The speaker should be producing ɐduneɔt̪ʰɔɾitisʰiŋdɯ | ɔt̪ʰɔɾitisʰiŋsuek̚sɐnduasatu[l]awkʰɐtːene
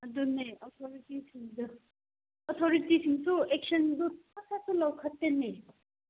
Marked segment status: correct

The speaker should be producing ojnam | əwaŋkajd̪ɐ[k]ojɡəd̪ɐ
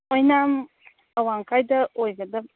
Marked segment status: incorrect: none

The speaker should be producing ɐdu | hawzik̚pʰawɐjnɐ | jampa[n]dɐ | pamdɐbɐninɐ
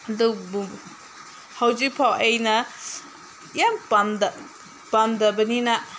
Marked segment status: incorrect: m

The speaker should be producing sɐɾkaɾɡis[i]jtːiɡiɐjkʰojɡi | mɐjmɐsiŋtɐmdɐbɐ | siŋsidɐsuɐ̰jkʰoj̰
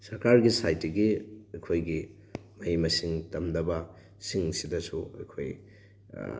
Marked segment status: incorrect: a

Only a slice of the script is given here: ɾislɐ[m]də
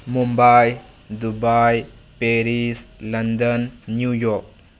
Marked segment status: incorrect: n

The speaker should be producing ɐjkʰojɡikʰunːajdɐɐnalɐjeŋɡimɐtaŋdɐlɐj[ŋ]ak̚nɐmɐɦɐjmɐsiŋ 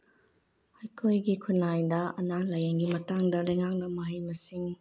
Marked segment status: correct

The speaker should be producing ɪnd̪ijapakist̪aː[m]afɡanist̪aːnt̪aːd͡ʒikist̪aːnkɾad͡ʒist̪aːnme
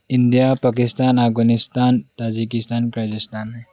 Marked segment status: incorrect: n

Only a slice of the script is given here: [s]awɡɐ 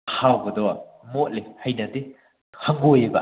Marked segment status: incorrect: h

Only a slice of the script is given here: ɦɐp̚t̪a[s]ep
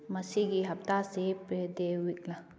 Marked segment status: correct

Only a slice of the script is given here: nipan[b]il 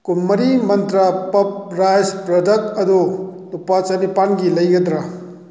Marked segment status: incorrect: ɡ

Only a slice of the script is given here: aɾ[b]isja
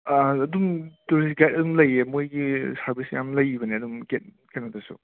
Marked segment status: correct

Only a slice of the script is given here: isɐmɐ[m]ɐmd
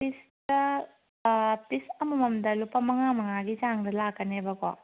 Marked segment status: correct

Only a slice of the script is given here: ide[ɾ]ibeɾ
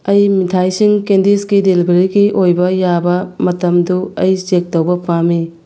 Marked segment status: incorrect: l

